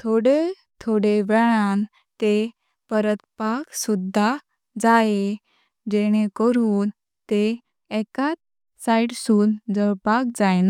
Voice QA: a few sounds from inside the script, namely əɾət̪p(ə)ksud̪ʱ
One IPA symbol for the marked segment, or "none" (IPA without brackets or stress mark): a